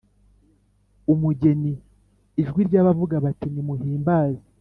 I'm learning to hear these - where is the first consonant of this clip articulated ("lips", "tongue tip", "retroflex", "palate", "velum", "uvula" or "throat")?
lips